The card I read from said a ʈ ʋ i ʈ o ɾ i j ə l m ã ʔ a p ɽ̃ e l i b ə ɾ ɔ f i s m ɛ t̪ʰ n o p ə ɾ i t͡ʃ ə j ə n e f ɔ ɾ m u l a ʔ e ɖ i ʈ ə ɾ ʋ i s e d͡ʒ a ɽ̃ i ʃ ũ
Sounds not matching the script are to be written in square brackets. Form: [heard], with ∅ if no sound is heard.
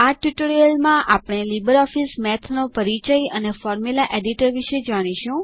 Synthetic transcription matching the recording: a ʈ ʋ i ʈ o ɾ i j ə l m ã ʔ a p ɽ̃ e l i b ə ɾ ɔ f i s m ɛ t̪ʰ n o p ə ɾ i t͡ʃ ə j ə n e f ɔ ɾ m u l a ʔ e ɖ i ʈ ə ɾ ʋ i [ʃ] e d͡ʒ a ɽ̃ i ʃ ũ